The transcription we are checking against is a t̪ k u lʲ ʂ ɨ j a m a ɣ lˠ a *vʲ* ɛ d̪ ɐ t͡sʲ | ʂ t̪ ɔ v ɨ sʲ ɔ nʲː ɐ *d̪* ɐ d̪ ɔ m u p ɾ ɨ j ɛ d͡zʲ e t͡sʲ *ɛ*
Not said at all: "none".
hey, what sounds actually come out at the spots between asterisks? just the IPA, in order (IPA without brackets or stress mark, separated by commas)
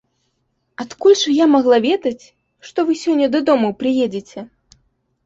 vʲ, d̪, ɛ